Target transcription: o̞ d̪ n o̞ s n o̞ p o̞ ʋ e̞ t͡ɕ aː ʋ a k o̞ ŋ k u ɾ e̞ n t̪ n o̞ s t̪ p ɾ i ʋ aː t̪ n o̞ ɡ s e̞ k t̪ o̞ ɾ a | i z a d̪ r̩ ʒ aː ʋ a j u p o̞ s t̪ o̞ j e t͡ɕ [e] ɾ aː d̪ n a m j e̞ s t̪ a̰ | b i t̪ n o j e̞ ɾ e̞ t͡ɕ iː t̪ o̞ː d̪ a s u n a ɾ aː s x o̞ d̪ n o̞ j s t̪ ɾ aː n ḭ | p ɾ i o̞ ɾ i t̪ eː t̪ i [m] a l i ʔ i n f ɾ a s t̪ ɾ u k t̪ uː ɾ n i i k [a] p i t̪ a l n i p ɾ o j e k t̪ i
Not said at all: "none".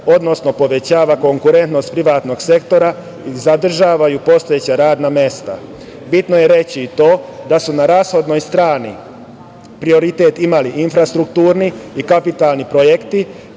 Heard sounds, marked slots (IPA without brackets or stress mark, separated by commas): a, m, a